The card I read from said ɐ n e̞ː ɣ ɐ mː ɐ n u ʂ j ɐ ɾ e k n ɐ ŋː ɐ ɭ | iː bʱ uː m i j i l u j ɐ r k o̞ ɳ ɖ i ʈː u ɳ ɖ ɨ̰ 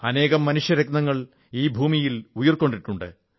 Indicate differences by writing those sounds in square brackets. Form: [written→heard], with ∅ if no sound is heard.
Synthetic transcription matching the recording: ɐ n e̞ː ɣ ɐ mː ɐ n u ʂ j ɐ ɾ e k n ɐ ŋː ɐ ɭ | iː bʱ uː m i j i l u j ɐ r k o̞ ɳ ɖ i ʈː u ɳ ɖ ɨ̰